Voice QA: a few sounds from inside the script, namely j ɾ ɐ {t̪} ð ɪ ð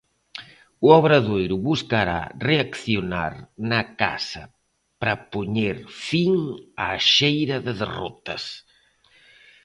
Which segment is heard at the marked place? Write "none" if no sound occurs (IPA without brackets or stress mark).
none